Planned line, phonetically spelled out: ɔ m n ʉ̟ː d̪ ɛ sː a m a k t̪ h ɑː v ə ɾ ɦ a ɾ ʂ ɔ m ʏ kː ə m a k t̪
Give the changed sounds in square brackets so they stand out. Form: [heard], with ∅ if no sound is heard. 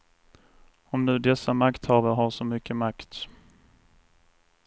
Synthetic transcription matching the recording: ɔ m n ʉ̟ː d̪ ɛ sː a m a k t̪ h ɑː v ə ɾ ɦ a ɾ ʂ ɔ m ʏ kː ə m a k t̪